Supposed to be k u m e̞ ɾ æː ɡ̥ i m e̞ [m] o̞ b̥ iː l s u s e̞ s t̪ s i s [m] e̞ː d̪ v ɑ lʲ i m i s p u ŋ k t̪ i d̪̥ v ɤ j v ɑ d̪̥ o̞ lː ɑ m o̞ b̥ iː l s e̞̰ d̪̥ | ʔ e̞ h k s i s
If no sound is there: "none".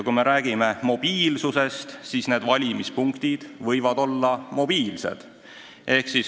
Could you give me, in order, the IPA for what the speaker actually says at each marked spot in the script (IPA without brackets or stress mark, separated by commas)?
m, n